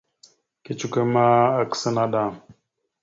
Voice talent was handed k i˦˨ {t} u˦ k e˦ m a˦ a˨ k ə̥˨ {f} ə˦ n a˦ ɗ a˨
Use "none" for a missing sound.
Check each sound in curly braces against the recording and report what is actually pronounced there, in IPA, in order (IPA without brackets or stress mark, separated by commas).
t͡ʃ, s